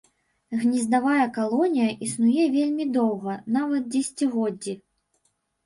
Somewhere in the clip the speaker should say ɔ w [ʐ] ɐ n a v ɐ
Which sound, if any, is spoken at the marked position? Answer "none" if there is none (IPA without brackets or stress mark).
ɣ